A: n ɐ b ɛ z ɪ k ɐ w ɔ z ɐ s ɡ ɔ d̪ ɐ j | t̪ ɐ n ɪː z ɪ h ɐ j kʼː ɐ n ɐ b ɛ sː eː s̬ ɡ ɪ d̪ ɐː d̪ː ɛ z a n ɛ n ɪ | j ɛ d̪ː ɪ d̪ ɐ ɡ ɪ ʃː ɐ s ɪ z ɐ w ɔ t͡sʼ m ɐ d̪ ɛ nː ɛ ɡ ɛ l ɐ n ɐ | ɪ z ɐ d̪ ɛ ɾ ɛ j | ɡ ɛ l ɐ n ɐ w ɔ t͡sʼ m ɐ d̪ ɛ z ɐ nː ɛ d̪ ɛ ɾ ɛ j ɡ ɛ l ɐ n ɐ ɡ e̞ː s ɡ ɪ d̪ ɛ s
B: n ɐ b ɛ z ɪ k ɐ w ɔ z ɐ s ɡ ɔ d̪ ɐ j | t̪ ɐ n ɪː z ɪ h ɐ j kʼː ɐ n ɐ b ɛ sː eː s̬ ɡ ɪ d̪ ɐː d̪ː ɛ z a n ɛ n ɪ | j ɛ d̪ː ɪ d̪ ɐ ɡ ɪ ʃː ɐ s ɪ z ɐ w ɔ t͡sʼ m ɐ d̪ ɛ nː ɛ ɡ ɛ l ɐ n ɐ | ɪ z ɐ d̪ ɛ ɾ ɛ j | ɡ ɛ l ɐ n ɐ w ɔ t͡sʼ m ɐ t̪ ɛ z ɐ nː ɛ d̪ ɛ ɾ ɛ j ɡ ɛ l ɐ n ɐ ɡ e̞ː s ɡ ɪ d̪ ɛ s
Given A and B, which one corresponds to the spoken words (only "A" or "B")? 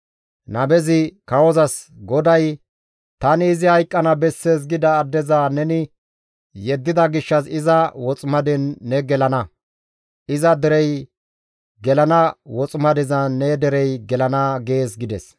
A